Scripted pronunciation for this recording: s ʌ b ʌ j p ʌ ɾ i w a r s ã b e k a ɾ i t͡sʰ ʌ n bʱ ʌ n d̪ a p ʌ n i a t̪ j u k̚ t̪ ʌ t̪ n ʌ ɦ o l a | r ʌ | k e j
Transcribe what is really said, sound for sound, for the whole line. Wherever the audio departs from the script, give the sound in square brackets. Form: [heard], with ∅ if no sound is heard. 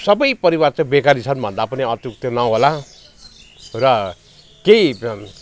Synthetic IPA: s ʌ b ʌ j p ʌ ɾ i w a r [t͡s] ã b e k a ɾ i t͡sʰ ʌ n bʱ ʌ n d̪ a p ʌ n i [ʌ] t̪ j u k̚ t̪ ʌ [∅] n ʌ ɦ o l a | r ʌ | k e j